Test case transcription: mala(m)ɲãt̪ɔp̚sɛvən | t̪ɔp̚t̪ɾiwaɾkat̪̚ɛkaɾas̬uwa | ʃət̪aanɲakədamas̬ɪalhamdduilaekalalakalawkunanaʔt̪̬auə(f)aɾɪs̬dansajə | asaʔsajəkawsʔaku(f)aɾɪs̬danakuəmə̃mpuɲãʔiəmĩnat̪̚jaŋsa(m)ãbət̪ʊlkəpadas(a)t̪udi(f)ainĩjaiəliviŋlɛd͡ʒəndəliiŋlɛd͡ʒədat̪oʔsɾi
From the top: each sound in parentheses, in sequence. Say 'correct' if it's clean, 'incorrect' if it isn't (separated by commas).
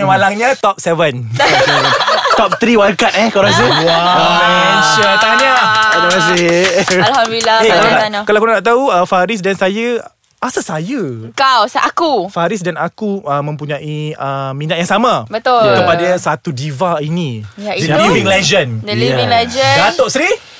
incorrect, correct, correct, correct, correct, incorrect